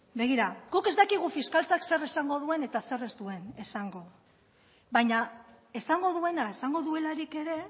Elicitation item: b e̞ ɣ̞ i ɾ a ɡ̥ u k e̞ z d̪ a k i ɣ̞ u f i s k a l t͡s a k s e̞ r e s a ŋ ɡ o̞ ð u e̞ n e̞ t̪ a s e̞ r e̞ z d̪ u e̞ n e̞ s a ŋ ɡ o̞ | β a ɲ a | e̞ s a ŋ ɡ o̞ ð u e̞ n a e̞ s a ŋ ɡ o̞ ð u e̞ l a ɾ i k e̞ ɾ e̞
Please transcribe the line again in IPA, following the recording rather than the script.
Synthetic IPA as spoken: b e̞ ɣ̞ i ɾ a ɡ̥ u k e̞ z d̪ a k i ɣ̞ u f i s k a l t͡s a k s e̞ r e s a ŋ ɡ o̞ ð u e̞ n e̞ t̪ a s e̞ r e̞ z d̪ u e̞ n e̞ s a ŋ ɡ o̞ | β a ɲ a | e̞ s a ŋ ɡ o̞ ð u e̞ n a e̞ s a ŋ ɡ o̞ ð u e̞ l a ɾ i k e̞ ɾ e̞